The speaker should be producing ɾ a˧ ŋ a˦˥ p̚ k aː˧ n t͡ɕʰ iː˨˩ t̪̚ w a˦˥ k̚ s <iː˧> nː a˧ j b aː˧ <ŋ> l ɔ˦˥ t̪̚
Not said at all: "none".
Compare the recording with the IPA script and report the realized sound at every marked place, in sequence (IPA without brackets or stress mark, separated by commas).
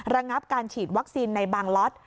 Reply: iː˧, ŋ